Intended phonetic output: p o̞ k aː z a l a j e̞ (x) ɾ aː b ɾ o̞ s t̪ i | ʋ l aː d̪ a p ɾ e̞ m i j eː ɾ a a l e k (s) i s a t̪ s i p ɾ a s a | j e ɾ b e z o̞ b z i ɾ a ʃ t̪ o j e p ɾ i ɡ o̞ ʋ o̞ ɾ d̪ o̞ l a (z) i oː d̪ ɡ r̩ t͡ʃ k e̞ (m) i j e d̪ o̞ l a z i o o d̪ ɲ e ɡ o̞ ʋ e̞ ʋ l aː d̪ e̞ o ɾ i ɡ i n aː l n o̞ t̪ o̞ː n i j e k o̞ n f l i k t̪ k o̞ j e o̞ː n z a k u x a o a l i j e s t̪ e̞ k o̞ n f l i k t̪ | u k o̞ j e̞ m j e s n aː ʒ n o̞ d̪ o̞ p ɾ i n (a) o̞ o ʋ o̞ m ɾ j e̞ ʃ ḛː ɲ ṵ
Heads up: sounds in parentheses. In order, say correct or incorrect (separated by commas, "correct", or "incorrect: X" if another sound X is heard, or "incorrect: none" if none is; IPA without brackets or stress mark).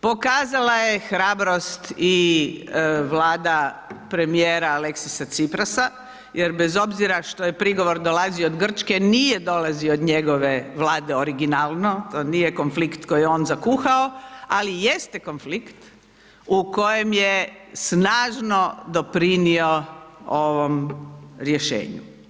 correct, correct, correct, incorrect: n, incorrect: i